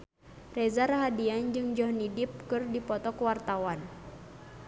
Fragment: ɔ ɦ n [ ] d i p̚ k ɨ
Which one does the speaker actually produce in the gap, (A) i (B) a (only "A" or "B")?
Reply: A